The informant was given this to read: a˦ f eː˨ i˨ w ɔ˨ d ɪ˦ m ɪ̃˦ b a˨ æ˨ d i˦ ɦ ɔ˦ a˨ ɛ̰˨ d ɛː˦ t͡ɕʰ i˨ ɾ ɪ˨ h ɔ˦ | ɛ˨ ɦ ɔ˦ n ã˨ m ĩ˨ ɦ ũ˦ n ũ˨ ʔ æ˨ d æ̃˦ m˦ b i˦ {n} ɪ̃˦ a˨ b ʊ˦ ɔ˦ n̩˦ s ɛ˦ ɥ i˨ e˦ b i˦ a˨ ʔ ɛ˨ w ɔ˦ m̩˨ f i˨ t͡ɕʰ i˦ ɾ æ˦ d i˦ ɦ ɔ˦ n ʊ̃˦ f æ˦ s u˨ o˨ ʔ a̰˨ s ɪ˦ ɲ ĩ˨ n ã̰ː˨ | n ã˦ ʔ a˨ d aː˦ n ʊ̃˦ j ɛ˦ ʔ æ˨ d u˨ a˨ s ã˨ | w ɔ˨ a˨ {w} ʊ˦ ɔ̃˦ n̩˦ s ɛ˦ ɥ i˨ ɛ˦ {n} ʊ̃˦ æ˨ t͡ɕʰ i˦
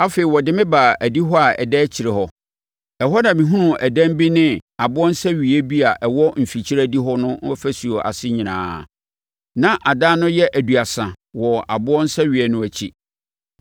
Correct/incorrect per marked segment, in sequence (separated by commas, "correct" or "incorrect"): correct, incorrect, correct